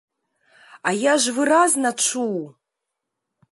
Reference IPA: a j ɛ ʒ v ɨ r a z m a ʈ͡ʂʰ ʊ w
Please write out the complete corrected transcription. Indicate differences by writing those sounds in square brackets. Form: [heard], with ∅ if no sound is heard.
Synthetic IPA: a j [a] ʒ v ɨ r a z [n] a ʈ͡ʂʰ [u] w